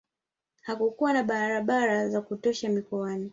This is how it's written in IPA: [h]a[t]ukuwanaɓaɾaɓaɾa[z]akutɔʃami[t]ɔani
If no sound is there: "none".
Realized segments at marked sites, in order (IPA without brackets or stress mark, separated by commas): h, k, z, k